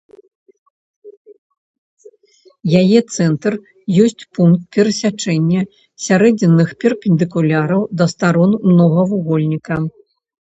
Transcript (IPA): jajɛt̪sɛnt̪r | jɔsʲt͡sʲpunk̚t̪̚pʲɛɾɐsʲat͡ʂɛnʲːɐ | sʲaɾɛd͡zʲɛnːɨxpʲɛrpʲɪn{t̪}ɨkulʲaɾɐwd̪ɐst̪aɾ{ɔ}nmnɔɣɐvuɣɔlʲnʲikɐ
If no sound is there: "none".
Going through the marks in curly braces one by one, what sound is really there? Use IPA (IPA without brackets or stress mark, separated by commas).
d̪, ɔ